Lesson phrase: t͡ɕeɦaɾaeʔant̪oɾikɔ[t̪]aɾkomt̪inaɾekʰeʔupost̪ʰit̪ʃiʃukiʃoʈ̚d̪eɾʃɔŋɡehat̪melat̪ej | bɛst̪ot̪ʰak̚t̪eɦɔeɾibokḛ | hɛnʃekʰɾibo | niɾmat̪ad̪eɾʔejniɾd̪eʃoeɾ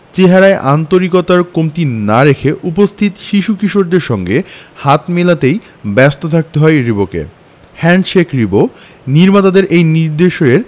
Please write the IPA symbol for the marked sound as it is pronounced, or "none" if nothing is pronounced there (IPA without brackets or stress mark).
t̪